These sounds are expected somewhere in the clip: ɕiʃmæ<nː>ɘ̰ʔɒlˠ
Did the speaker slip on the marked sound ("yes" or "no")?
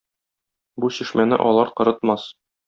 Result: yes